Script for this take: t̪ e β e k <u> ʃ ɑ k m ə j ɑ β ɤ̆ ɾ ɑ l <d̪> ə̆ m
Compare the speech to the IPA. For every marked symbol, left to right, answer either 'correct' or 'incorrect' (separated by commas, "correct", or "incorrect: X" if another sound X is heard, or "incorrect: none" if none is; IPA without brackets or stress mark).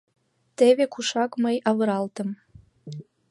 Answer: correct, incorrect: t̪